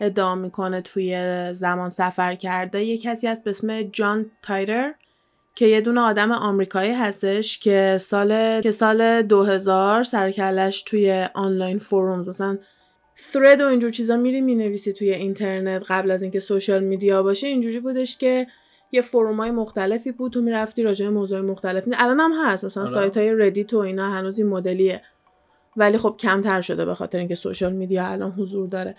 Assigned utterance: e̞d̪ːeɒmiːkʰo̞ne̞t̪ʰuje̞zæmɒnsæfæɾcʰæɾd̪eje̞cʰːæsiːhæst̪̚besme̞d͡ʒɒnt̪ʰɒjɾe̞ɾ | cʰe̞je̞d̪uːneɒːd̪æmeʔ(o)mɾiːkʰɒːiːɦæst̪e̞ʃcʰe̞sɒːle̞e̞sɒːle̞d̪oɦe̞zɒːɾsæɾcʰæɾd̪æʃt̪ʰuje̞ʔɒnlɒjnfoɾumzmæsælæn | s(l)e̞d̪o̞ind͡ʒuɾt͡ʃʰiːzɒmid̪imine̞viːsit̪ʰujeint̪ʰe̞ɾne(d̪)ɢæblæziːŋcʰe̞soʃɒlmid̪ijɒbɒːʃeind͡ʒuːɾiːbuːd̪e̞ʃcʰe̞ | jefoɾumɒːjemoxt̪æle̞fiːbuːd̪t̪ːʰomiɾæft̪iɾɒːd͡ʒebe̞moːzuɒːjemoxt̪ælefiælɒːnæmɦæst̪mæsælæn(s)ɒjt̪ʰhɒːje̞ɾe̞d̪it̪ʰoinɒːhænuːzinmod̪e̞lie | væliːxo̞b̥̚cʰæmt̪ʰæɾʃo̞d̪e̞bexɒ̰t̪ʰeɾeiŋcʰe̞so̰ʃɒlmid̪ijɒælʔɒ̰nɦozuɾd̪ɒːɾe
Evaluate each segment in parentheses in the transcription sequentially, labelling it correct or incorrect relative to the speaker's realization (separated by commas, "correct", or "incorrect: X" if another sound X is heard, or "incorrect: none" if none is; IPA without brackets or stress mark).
incorrect: ɒ, incorrect: ɾ, incorrect: t̪, correct